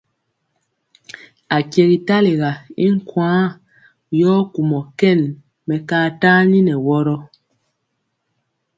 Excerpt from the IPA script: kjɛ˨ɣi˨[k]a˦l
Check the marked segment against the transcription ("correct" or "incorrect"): incorrect